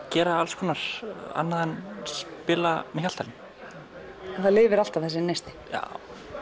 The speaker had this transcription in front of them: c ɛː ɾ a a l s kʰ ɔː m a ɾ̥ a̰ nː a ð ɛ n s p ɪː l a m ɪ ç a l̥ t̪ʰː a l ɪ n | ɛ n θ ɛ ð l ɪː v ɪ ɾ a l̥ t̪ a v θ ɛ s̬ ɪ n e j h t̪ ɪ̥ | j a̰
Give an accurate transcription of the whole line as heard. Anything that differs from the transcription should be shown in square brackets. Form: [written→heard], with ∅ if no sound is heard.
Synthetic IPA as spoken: c ɛː ɾ a a l s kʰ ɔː [m→n] a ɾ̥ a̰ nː a ð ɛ n s p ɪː l a m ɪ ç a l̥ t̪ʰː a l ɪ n | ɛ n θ [ɛ→a] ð l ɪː v ɪ ɾ a l̥ t̪ a v θ ɛ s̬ ɪ n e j [h→s] t̪ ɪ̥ | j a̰